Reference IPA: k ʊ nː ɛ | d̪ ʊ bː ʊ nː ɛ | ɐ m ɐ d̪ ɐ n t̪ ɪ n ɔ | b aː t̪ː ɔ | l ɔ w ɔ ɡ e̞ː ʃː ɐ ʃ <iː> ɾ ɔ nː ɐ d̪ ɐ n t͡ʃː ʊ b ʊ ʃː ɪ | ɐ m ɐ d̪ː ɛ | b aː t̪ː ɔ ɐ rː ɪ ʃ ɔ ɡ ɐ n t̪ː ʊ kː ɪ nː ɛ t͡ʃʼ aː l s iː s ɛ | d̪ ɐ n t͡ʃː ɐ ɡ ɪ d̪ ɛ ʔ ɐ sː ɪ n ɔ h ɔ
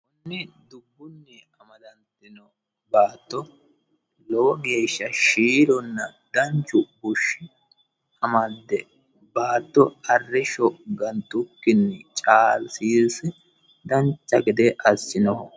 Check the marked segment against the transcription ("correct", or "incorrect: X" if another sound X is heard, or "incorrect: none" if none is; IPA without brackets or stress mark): correct